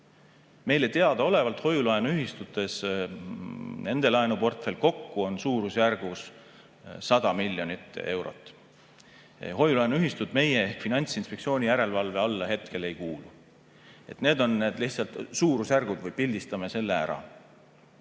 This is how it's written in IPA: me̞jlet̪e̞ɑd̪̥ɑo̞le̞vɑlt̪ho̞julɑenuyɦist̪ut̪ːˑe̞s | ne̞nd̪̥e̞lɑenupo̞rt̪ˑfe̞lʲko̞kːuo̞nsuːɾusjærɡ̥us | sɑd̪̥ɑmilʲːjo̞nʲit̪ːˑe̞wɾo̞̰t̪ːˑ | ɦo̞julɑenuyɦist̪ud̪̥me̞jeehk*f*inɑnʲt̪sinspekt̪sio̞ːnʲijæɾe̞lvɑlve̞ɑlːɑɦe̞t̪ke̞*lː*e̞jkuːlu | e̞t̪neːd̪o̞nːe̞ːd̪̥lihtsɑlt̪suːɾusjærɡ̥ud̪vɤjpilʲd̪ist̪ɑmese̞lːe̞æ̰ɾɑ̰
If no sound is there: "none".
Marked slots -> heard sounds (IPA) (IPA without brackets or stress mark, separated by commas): f, l